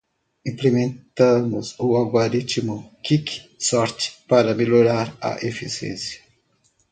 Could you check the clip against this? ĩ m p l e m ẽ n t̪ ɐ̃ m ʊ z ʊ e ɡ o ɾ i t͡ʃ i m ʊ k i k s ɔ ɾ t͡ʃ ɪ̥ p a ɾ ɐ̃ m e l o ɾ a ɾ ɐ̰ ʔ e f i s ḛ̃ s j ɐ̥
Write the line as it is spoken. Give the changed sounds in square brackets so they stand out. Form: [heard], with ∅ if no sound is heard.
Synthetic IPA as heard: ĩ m p l e m ẽ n t̪ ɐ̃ m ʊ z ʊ [a] ɡ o ɾ i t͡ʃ i m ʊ k i k s ɔ ɾ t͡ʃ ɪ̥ p a ɾ [ɐ] m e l o ɾ a ɾ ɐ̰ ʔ e f i s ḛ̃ s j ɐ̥